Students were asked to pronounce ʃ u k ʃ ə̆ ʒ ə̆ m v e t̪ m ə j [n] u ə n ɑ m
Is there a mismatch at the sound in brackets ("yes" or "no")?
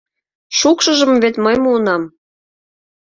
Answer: yes